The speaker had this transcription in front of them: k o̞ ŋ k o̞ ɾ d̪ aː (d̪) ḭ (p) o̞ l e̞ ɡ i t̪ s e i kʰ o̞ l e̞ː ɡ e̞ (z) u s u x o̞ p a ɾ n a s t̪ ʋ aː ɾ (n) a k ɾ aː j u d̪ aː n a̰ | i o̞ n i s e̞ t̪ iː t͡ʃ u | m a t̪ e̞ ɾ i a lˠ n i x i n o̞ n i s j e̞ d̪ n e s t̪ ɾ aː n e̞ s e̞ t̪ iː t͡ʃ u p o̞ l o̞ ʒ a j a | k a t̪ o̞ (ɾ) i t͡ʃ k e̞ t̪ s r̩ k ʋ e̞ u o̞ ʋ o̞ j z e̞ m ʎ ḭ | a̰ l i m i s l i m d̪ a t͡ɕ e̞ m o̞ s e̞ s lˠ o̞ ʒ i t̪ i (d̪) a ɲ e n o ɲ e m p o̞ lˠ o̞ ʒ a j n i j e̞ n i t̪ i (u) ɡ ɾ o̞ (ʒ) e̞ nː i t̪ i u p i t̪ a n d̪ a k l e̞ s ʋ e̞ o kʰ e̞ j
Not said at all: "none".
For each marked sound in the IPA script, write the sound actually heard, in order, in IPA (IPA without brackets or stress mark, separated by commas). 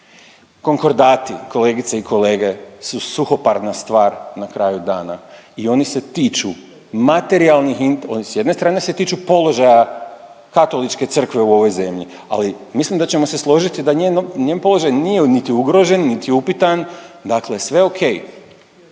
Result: t̪, k, s, n, l, d̪, u, ʒ